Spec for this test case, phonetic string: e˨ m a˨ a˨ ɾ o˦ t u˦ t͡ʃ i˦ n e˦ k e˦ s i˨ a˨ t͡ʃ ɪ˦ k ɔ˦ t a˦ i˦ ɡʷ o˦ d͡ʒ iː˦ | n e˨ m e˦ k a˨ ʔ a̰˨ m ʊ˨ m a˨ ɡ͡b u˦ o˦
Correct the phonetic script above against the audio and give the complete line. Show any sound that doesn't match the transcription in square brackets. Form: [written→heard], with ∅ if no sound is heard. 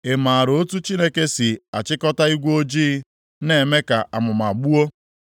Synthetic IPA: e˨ m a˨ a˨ ɾ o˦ t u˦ t͡ʃ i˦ n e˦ k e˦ s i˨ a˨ t͡ʃ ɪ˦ k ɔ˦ t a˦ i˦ ɡʷ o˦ d͡ʒ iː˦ | n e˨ m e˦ k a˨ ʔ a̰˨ m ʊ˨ m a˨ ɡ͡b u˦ o˦

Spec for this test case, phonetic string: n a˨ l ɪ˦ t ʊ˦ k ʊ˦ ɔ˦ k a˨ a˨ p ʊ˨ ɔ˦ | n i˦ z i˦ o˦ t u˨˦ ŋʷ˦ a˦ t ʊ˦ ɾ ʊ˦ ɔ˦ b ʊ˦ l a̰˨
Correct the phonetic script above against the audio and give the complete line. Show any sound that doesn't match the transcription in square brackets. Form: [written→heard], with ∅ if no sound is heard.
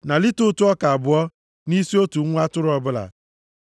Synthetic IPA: n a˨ l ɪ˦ t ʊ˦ [k→t] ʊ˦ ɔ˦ k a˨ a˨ [p→b] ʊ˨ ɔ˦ | n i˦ [z→s] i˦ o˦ t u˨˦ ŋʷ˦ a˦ t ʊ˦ ɾ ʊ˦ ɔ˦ b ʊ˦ l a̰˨

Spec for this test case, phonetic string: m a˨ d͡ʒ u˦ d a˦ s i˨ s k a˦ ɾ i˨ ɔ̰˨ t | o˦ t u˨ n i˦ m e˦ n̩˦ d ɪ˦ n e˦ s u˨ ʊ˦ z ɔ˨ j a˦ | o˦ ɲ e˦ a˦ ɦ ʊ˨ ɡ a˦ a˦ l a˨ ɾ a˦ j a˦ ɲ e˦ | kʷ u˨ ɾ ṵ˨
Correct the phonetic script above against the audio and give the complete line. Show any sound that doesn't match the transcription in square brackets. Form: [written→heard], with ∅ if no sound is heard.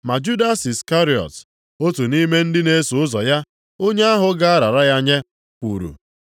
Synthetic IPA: m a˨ d͡ʒ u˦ d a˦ s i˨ s k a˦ ɾ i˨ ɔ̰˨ t | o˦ t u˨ n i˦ m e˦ n̩˦ d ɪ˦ n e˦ s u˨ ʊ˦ z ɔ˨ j a˦ | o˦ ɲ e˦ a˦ ɦ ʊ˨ ɡ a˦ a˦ [l→ɾ] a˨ ɾ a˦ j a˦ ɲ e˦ | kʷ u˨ ɾ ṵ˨

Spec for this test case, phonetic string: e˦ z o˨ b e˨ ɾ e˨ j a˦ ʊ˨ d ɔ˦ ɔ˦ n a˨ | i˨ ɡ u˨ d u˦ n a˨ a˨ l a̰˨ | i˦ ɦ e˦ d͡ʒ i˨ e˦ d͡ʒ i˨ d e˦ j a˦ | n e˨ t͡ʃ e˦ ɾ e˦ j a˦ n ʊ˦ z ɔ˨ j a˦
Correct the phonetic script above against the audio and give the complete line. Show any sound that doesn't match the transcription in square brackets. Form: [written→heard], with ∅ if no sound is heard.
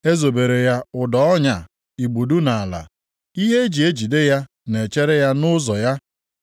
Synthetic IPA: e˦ z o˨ b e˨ ɾ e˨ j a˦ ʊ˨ d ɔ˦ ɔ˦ [n→ɲ] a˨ | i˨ [ɡ→ɡ͡b] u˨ d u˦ n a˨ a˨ l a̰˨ | i˦ ɦ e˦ d͡ʒ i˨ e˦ d͡ʒ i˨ d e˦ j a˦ | n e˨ t͡ʃ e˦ ɾ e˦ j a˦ n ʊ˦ z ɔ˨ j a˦

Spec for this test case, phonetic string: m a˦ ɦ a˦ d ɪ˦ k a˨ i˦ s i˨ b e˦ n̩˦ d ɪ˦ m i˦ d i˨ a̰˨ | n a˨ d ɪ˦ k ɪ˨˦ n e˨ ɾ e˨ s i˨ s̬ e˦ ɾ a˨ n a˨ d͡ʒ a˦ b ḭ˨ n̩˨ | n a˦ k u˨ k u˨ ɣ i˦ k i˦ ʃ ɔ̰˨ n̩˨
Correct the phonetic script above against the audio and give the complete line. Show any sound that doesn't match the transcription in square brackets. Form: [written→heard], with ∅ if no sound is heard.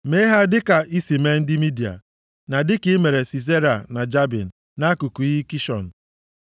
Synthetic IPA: m [a˦→e˦] ɦ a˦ d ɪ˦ k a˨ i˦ s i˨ [b→m] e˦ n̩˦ d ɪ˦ m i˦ d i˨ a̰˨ | n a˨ d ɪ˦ k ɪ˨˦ [n→m] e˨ ɾ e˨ s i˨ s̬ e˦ ɾ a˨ n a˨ d͡ʒ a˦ b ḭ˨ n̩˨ | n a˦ k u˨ k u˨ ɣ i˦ k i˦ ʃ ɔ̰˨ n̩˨

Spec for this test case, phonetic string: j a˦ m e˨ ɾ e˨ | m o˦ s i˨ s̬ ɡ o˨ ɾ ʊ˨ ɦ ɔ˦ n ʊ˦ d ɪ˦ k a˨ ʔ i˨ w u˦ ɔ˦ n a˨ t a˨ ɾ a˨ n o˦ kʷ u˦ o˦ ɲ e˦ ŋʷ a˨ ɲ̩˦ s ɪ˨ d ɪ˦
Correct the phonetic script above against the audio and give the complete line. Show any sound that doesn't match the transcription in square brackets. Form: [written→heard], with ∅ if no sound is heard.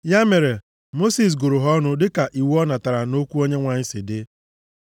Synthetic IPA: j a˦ m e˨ ɾ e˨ | m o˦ s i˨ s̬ ɡ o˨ ɾ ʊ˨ ɦ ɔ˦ n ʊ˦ d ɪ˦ k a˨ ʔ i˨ w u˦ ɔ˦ n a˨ t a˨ ɾ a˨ n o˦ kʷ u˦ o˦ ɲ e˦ ŋʷ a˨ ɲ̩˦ s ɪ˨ d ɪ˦

